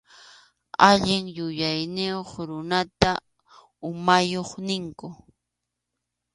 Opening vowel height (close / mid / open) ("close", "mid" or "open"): open